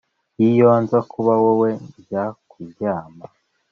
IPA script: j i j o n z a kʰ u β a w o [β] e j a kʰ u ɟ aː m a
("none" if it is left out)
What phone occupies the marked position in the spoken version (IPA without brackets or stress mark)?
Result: w